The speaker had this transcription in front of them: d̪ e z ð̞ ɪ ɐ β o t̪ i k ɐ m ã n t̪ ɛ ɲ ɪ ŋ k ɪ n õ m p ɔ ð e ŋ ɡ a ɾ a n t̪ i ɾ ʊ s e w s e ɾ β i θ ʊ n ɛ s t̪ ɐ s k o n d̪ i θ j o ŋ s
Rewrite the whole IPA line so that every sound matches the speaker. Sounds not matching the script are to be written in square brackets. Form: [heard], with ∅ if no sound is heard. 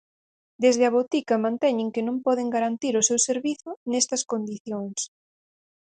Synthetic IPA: d̪ e z ð̞ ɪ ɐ β o t̪ i k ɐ m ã n t̪ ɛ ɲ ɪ ŋ k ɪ n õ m p ɔ ð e ŋ ɡ a ɾ a n t̪ i ɾ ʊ s e w s e ɾ β i θ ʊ n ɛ s t̪ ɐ s k o n d̪ i θ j o ŋ s